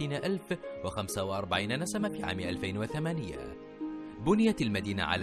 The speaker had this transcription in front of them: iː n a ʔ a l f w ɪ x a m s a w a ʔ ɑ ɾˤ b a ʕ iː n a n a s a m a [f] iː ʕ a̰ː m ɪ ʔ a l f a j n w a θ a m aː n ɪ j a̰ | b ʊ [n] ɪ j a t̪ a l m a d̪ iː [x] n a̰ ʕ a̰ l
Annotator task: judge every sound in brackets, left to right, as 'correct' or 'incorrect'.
correct, correct, incorrect

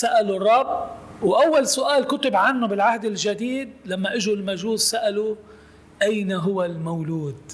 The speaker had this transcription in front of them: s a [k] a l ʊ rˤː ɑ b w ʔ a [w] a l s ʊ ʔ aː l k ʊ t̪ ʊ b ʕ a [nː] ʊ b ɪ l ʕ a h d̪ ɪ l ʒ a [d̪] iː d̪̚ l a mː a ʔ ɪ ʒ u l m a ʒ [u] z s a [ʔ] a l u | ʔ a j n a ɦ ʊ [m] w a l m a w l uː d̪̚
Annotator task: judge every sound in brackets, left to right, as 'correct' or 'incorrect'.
incorrect, incorrect, correct, correct, incorrect, correct, incorrect

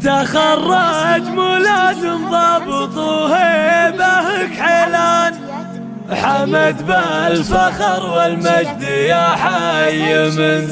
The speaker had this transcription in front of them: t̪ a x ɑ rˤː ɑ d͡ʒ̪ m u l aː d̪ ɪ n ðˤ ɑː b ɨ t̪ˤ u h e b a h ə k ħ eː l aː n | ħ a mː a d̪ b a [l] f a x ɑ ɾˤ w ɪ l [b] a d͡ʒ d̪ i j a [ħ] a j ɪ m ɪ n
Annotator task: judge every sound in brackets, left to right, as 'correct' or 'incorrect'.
correct, incorrect, correct

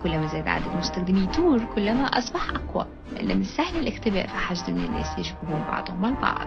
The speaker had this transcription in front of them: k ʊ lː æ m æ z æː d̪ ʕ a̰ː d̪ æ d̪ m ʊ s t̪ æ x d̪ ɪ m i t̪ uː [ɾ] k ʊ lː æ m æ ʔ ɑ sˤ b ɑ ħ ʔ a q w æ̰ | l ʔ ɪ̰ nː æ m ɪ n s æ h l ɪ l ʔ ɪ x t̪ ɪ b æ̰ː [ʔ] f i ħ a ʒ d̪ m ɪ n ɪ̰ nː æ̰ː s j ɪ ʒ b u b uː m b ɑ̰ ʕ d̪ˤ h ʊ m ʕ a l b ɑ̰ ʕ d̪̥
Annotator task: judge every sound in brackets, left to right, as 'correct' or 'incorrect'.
correct, correct

